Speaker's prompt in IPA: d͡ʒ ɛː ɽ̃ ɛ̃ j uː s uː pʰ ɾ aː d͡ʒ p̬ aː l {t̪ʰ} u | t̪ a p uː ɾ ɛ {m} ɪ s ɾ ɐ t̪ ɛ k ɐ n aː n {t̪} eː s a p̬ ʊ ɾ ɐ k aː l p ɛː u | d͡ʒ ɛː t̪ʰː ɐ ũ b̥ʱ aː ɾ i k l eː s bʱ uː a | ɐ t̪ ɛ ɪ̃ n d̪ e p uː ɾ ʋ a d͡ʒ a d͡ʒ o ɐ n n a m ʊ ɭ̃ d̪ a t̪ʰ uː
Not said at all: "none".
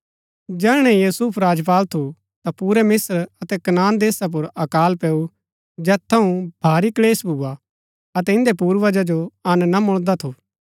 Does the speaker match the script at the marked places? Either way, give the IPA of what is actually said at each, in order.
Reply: t̪ʰ, m, d̪

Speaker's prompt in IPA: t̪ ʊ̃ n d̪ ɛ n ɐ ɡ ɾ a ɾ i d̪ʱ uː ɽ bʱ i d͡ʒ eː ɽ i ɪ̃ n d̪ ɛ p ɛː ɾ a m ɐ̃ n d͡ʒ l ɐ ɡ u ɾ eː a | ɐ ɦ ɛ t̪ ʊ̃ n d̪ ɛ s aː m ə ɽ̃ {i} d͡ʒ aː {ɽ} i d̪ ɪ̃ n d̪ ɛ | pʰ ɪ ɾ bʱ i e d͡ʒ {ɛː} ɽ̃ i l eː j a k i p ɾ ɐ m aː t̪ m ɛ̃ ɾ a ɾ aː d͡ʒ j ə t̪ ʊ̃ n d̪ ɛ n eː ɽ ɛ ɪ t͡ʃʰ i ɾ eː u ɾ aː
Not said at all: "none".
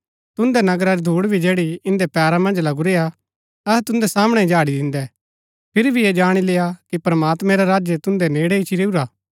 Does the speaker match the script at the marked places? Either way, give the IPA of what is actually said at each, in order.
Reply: ɛ, ɽ, aː

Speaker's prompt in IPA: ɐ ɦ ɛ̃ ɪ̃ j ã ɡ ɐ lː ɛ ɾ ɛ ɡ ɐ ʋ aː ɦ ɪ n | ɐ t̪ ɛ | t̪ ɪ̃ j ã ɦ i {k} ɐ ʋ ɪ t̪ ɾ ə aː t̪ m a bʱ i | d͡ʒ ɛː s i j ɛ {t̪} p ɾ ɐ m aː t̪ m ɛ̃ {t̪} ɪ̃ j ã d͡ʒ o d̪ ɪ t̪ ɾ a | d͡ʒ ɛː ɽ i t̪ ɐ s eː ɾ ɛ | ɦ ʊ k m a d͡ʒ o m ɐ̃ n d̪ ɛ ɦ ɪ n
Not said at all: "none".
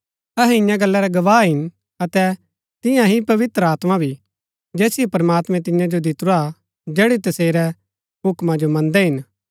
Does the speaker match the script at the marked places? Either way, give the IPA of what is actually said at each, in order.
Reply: p, none, t̪

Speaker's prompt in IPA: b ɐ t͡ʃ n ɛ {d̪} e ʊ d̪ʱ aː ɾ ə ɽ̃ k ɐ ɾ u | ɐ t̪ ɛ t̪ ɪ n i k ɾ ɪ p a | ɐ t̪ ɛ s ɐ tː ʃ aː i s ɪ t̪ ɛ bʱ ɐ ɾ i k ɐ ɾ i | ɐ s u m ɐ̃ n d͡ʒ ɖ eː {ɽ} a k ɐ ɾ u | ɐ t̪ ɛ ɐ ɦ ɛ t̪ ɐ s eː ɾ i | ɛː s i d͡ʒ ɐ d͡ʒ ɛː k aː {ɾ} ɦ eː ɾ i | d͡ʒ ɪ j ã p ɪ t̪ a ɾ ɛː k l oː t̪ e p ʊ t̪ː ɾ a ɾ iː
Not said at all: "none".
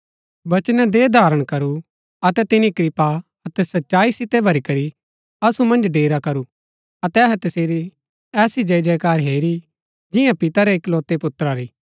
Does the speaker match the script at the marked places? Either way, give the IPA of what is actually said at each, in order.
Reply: d̪, ɾ, ɾ

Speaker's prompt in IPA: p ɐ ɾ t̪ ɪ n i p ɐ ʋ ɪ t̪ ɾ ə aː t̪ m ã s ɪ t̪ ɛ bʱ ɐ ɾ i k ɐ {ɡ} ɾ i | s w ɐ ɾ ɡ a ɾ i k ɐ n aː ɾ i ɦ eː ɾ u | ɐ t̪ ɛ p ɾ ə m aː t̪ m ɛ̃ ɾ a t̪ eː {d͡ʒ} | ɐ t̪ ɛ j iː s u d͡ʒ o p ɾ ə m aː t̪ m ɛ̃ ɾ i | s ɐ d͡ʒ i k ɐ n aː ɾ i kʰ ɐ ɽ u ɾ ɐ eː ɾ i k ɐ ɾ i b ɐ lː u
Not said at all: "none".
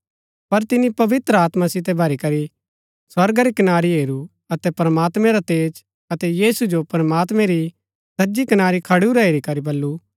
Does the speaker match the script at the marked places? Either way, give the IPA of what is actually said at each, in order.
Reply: none, d͡ʒ

